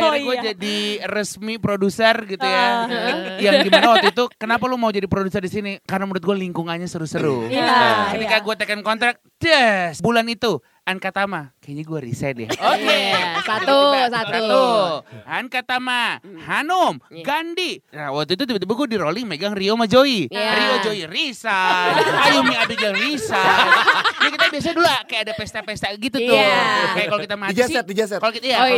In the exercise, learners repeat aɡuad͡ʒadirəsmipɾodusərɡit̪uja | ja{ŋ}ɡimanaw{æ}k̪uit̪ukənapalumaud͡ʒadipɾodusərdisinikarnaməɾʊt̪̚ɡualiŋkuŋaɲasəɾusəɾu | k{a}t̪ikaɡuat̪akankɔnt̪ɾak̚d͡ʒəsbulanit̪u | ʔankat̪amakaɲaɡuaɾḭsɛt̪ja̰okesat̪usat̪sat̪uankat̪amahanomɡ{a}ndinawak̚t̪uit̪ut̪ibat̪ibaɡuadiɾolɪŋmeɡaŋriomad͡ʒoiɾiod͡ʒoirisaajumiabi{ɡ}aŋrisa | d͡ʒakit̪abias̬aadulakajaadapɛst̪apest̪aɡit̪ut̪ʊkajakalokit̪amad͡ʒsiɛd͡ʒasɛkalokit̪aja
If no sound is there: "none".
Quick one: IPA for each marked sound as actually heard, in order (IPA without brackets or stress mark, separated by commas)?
ŋ, a, ə, a, ɡ